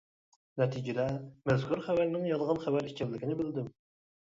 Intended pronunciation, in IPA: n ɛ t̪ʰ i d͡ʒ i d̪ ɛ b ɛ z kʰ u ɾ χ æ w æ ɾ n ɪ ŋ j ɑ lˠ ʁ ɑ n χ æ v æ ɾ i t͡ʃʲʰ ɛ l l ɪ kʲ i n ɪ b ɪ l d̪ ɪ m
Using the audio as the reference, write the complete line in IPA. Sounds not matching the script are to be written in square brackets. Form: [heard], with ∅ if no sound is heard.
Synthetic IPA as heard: n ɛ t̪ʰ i d͡ʒ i d̪ ɛ [m] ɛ z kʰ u ɾ χ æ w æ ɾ n ɪ ŋ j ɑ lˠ ʁ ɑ n χ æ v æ ɾ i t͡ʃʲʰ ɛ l l ɪ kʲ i n ɪ b ɪ l d̪ ɪ m